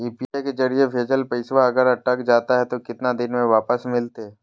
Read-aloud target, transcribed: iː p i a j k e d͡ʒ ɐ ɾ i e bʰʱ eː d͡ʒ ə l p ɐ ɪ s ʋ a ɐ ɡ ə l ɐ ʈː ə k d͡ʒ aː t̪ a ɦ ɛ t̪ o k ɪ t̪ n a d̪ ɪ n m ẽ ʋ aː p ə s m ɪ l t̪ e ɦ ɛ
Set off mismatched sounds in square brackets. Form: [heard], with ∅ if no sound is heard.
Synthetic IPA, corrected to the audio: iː p i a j k e d͡ʒ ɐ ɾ i e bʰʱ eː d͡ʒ ə l p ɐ ɪ s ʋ a ɐ ɡ ə [ɾ] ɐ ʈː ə k d͡ʒ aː t̪ a ɦ ɛ t̪ o k ɪ t̪ n a d̪ ɪ n m ẽ ʋ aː p ə s m ɪ l t̪ e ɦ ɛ